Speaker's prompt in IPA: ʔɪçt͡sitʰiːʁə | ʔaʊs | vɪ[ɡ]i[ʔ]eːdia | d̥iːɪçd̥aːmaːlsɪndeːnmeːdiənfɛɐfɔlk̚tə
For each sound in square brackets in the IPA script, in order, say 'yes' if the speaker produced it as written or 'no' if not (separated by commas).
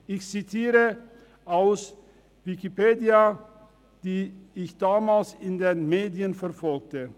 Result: no, no